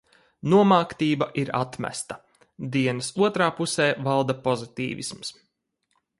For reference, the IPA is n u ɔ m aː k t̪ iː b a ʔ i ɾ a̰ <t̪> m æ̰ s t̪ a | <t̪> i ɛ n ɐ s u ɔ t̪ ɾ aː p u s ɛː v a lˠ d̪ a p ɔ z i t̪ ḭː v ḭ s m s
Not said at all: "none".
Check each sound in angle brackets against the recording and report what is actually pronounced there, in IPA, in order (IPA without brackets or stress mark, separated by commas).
t̪, d̪